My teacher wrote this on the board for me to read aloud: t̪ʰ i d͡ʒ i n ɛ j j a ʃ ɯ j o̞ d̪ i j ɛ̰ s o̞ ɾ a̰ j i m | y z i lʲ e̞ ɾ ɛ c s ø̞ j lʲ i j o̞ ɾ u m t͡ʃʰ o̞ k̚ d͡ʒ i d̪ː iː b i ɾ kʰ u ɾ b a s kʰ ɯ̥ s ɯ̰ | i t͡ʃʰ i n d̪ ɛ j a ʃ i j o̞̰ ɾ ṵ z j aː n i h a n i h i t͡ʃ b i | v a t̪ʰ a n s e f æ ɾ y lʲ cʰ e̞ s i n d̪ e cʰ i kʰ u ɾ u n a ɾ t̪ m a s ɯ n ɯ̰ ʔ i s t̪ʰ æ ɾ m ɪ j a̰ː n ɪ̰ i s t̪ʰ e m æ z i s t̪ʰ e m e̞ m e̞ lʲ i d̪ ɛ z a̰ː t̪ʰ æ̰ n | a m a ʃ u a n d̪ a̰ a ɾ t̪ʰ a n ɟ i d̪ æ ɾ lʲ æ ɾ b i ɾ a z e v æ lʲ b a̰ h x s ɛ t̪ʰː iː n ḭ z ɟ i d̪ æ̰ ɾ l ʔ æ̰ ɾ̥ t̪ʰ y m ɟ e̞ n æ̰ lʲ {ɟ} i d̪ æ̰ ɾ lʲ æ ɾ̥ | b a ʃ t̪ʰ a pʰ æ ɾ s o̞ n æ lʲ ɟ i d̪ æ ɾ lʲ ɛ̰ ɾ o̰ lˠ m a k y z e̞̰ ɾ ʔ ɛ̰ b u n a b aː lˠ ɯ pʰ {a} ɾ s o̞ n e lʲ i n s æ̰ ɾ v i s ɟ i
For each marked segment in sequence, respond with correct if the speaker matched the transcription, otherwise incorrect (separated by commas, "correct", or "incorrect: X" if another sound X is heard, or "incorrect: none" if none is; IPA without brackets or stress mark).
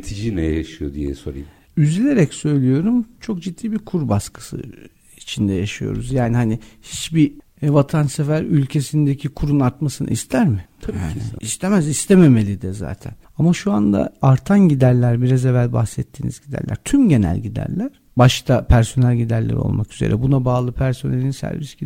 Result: correct, incorrect: æ